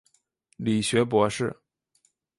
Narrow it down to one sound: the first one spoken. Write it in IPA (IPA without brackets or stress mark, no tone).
l